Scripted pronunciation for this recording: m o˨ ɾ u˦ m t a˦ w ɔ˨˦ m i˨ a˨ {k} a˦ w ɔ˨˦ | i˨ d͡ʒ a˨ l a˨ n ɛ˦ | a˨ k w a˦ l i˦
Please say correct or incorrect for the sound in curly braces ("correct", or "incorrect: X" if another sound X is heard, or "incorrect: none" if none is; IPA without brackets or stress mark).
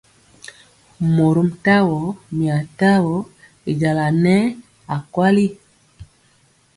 incorrect: t